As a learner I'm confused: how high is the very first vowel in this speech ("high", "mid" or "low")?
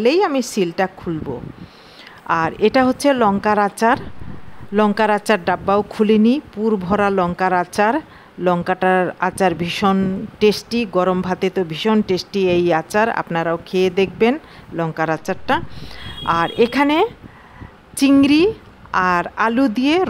mid